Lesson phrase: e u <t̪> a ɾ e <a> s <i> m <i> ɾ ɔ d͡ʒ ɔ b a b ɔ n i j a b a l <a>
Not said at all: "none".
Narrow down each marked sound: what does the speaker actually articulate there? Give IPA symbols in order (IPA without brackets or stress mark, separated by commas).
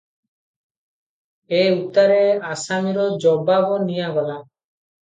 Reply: t̪, a, a, i, a